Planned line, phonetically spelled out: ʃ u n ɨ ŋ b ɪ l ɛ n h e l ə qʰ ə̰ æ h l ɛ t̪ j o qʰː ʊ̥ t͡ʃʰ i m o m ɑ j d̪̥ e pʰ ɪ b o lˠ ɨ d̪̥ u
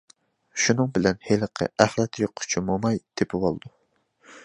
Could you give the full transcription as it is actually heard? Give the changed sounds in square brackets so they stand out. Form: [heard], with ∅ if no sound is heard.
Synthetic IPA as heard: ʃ u n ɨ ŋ b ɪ l ɛ n h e l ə qʰ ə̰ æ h l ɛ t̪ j o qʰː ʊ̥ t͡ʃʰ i m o m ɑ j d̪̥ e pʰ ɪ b o lˠ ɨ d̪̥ u